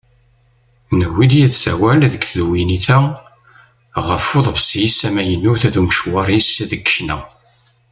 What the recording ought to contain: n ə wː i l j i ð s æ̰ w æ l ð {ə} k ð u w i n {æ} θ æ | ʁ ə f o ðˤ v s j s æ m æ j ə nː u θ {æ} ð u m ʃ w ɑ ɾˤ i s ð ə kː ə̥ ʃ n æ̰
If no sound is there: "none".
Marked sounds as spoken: ə, i, æ

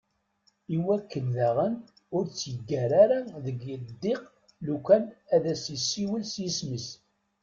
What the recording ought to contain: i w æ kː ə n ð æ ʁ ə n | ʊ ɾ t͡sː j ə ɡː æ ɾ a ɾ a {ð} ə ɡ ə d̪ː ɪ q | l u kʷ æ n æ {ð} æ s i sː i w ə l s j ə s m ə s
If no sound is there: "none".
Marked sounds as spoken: ð, ð

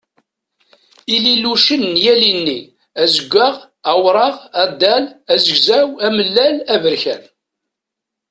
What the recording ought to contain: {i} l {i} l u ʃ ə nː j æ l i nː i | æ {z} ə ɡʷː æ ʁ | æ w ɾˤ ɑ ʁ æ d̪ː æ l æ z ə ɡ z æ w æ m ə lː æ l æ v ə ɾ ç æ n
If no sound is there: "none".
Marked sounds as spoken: i, i, z

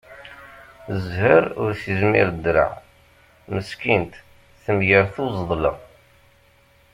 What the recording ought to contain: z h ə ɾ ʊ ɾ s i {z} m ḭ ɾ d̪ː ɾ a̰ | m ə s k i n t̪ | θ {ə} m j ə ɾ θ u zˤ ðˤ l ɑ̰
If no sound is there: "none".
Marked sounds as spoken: z, ə

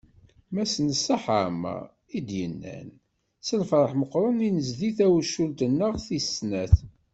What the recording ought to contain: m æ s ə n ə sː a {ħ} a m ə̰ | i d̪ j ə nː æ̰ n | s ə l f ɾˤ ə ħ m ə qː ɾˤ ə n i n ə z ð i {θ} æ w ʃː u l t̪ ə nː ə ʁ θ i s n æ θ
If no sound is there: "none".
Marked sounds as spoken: ħ, θ

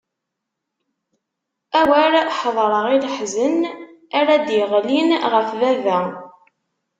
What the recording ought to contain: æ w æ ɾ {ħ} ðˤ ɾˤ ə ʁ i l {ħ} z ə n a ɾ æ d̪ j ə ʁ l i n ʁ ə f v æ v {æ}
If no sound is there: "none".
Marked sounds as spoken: ħ, ħ, æ

